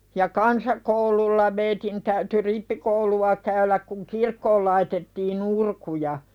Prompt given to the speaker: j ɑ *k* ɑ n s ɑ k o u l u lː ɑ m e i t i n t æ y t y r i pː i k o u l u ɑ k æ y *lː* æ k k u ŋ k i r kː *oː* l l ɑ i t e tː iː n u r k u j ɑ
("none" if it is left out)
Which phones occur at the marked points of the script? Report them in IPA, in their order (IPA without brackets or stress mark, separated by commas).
k, l, oː